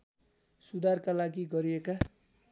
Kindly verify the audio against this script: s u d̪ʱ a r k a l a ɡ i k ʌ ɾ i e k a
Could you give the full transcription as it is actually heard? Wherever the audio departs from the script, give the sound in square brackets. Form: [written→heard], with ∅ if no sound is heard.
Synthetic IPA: s u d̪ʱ a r k a l a ɡ i [k→ɡ] ʌ ɾ i e k a